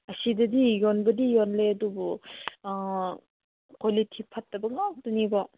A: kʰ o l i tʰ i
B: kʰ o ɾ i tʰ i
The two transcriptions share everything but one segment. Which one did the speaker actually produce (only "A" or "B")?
A